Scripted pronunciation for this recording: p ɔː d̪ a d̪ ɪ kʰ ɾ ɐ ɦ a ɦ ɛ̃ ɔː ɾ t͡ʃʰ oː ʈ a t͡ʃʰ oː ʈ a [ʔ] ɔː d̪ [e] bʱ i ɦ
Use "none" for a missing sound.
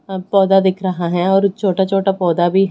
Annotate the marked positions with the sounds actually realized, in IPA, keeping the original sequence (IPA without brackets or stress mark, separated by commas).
p, a